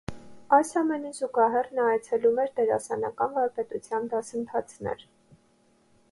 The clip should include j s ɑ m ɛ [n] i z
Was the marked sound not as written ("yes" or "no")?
no